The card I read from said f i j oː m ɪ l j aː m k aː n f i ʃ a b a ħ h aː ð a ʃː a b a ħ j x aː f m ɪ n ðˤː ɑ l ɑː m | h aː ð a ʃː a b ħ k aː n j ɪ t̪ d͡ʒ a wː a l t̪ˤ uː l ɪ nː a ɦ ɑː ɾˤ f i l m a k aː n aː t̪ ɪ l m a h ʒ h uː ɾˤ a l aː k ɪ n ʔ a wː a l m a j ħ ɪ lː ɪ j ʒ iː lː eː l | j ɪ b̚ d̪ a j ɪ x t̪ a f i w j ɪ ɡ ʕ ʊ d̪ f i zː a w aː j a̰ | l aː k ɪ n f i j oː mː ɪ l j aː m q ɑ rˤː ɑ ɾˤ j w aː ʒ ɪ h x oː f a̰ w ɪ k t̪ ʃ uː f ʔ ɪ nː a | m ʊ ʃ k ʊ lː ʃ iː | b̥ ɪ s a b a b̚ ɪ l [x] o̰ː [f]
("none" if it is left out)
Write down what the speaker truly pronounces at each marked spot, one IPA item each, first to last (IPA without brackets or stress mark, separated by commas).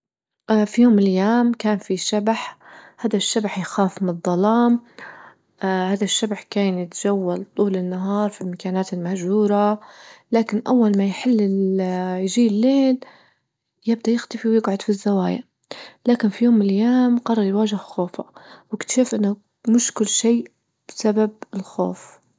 x, f